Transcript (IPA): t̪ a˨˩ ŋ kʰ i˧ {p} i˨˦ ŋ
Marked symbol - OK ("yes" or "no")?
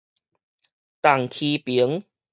yes